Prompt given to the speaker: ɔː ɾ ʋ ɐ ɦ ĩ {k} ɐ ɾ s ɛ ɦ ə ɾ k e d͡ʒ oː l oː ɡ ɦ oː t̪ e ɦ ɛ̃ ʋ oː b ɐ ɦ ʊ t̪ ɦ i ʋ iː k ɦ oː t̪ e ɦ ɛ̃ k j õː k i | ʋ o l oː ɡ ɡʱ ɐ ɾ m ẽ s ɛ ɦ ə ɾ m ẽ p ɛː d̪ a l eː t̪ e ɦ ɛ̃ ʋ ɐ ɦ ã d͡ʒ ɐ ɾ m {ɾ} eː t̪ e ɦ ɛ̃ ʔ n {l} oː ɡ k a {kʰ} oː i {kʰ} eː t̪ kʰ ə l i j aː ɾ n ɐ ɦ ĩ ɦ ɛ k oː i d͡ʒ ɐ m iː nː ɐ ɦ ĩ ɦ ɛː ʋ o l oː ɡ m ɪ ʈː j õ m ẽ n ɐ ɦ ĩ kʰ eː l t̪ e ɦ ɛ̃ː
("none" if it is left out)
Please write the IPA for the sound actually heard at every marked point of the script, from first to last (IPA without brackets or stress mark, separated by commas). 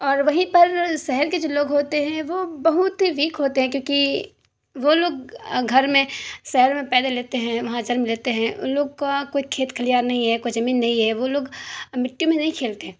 p, l, l, k, kʰ